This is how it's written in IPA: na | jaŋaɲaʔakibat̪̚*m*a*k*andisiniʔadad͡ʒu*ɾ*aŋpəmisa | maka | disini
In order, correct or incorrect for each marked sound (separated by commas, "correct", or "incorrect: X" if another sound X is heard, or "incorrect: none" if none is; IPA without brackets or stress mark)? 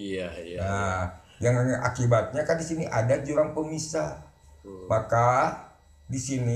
incorrect: ɲ, correct, correct